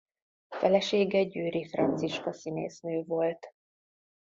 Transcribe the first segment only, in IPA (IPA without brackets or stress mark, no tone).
f